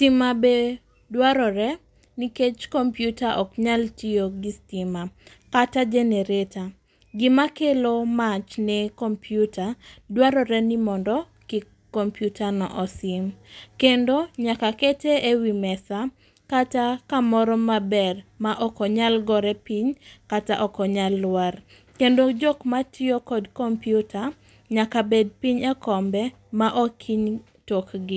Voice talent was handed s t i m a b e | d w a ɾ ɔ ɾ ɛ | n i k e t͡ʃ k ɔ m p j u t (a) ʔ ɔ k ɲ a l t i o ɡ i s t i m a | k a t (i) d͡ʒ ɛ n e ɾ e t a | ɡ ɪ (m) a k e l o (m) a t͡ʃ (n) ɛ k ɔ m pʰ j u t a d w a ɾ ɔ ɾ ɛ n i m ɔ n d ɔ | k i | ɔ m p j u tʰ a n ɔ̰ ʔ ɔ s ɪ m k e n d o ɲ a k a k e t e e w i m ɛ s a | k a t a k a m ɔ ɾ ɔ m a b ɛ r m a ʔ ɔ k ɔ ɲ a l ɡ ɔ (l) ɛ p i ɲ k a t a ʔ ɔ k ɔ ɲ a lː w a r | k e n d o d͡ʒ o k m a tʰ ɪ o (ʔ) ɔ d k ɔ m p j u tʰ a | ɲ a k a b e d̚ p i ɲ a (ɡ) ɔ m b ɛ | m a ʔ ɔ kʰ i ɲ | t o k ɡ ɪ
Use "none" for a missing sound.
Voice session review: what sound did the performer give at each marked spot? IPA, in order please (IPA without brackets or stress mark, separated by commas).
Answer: a, a, m, m, n, ɾ, k, k